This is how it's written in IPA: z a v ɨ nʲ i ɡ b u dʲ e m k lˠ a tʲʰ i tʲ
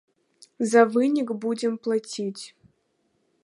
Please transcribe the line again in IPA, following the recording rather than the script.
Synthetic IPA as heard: z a v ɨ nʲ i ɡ b u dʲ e m p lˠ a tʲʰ i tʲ